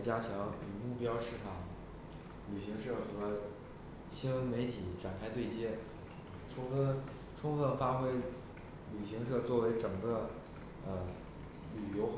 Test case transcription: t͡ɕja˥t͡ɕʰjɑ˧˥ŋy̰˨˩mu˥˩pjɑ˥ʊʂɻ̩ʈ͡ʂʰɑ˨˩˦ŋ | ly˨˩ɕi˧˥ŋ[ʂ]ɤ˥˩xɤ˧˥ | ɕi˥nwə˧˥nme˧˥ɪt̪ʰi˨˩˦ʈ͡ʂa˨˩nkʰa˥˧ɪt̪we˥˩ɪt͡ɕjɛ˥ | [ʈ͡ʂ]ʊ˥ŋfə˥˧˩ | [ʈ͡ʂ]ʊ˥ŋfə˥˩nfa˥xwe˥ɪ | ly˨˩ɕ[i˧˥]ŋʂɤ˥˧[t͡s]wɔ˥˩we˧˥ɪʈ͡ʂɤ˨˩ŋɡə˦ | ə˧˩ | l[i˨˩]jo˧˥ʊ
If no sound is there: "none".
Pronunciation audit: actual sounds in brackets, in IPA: ʂ, ʈ͡ʂʰ, ʈ͡ʂʰ, i˧˥, t͡s, y˨˩

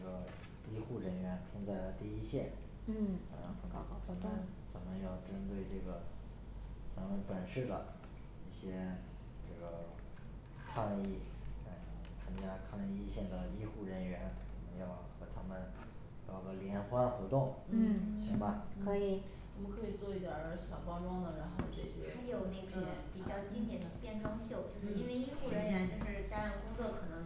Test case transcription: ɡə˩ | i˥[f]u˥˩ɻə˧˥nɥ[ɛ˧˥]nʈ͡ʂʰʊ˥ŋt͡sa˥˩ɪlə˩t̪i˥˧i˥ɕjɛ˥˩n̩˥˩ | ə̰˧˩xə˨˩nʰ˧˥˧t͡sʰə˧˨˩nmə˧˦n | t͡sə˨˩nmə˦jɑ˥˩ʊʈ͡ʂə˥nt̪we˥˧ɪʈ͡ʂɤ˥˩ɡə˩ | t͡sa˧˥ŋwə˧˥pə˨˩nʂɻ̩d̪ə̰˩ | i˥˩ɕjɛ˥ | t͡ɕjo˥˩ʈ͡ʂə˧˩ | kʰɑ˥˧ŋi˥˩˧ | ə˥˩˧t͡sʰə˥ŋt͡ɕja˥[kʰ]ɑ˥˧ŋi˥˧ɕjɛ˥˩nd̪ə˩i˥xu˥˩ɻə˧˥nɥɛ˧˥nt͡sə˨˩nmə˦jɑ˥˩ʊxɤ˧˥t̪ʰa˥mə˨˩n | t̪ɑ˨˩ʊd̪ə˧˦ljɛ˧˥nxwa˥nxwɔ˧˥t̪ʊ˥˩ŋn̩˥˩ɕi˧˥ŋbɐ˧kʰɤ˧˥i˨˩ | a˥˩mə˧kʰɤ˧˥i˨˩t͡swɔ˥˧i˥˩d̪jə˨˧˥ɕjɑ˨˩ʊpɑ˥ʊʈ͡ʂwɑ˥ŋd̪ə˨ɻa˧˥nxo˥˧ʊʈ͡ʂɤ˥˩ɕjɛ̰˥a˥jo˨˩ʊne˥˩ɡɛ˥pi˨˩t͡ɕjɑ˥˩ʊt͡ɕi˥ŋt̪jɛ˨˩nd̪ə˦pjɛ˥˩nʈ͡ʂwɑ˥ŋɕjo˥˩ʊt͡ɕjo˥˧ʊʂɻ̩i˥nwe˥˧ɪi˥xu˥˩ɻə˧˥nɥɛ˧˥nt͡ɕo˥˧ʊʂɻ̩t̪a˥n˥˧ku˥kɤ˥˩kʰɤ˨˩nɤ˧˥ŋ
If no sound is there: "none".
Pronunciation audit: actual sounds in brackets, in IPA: x, ɛ˧˥, kʰ

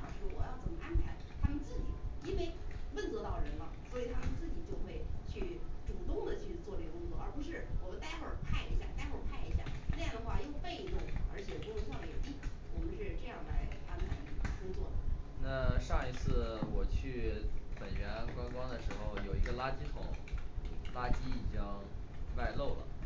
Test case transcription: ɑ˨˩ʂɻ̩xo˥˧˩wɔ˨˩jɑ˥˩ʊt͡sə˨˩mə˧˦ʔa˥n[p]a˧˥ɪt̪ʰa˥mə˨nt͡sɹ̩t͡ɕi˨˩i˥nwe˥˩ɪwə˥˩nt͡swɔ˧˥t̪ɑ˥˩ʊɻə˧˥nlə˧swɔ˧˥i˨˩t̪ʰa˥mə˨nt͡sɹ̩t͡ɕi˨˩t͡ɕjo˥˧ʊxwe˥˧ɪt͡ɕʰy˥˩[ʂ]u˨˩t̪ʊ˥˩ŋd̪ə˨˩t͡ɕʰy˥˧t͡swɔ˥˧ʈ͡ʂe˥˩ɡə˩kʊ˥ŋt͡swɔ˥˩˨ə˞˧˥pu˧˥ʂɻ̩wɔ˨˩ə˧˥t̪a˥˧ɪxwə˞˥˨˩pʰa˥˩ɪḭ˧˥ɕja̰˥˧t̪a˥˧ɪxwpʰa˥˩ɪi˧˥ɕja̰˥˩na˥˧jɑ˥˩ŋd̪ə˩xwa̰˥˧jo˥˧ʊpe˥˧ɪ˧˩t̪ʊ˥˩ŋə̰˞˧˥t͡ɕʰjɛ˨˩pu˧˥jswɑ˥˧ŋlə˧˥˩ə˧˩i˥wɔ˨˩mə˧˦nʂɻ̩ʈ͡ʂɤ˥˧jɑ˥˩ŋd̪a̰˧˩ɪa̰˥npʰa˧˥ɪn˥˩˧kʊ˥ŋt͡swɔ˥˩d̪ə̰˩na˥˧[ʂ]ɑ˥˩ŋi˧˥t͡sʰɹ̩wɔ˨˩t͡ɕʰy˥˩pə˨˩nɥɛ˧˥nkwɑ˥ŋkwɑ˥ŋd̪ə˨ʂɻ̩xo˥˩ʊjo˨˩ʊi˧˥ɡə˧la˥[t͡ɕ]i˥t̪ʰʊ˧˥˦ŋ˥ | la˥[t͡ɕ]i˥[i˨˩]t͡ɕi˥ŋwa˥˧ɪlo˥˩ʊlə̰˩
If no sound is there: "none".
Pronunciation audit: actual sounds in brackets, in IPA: pʰ, ʈ͡ʂ, ʂ, t͡ɕ, t͡ɕ, i˨˩

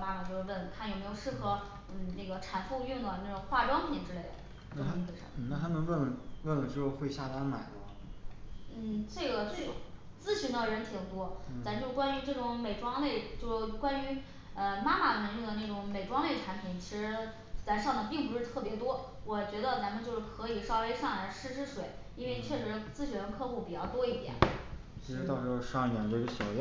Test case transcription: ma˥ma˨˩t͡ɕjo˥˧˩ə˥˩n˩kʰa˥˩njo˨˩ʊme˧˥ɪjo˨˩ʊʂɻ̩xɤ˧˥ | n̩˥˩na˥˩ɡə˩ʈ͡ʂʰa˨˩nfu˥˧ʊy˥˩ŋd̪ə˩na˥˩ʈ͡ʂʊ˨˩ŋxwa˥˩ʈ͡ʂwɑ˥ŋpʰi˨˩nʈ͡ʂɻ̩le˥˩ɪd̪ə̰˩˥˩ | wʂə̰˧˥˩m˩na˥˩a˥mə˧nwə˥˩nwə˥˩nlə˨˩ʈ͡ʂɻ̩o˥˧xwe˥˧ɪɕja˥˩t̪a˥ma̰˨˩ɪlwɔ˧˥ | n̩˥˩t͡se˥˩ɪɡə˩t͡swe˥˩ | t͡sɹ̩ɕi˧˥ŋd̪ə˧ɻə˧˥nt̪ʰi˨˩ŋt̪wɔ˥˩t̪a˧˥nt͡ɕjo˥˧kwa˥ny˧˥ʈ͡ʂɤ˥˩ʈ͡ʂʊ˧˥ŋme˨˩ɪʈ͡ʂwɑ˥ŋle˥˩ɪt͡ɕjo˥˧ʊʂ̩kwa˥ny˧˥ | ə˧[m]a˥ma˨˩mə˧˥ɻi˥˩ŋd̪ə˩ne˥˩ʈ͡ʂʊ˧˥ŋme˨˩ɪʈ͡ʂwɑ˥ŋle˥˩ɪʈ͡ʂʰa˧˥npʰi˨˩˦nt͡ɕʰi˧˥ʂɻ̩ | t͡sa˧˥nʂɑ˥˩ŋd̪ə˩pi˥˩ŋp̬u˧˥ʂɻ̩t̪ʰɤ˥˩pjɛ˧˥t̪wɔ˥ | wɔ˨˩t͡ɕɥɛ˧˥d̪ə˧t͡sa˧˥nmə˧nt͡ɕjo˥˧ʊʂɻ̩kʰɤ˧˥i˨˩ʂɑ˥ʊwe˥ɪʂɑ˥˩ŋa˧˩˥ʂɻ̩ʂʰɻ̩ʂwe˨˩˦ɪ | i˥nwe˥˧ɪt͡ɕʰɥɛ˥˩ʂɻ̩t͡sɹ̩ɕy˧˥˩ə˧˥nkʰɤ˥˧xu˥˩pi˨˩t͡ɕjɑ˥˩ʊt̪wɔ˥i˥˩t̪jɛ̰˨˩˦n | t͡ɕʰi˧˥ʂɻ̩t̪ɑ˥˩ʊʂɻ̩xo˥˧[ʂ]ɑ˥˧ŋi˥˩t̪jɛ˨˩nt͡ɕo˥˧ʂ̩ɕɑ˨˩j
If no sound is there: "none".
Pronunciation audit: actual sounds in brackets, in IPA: m, ʂ

